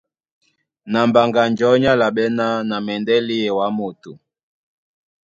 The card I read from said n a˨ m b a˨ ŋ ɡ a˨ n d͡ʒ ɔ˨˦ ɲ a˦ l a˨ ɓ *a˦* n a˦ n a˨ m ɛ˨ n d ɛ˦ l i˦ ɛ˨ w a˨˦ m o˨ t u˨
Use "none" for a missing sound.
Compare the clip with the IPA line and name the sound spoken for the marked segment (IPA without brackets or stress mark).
ɛ˦